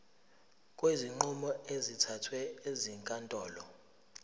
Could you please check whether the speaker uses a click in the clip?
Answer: yes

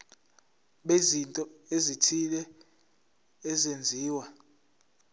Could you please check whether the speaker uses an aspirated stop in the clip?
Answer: yes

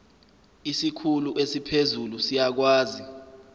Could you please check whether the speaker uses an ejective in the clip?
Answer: no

